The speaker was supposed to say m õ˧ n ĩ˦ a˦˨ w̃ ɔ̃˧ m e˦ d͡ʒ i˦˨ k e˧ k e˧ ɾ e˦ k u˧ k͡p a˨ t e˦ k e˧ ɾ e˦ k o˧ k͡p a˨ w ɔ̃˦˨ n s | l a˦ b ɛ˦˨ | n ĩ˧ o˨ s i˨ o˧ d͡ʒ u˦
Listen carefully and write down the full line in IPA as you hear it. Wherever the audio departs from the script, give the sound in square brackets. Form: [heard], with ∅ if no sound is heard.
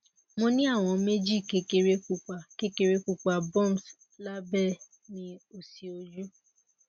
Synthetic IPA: m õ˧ n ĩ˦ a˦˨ w̃ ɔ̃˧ m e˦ d͡ʒ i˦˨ k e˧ k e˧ ɾ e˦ k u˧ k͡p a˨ [k] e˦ k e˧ ɾ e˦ k [u˧] k͡p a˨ [b] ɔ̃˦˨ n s | l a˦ b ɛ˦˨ | n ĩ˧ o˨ s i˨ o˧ d͡ʒ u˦